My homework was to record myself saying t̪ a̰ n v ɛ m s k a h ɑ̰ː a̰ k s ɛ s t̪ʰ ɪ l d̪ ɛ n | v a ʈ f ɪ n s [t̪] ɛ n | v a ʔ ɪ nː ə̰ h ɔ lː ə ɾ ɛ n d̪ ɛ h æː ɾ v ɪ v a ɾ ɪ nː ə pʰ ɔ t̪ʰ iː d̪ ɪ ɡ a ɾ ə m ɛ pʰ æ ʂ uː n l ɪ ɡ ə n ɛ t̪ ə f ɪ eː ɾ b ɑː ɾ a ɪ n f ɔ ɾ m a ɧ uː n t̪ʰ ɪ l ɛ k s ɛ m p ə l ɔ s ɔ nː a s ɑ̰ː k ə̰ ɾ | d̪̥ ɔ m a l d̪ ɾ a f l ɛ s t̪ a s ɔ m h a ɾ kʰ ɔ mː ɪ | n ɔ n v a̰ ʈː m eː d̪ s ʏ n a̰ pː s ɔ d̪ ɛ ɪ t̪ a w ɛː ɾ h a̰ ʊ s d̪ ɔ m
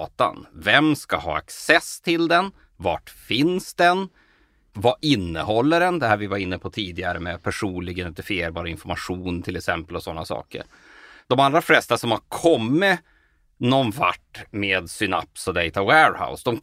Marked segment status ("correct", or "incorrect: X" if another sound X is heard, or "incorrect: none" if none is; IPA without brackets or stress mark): incorrect: d̪